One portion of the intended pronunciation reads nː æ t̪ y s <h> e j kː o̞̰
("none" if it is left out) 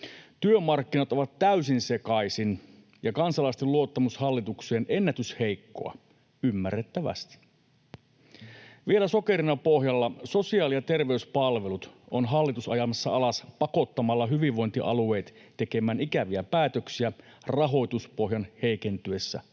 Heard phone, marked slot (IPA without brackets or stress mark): h